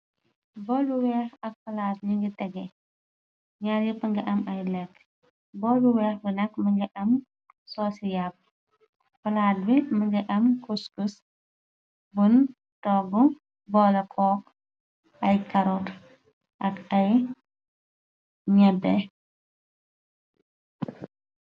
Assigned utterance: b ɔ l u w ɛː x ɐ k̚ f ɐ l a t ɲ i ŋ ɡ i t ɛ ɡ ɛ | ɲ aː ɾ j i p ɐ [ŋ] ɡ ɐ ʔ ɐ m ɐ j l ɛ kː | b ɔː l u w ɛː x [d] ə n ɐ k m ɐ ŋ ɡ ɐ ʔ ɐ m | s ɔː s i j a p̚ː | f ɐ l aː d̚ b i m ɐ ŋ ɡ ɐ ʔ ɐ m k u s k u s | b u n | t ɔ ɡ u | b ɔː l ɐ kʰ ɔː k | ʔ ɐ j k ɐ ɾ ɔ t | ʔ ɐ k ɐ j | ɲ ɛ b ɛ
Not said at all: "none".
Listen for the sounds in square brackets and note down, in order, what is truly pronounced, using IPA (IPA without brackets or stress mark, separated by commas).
ŋ, b